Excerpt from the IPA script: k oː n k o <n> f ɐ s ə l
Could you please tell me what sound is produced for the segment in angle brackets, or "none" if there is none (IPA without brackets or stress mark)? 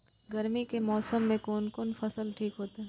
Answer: n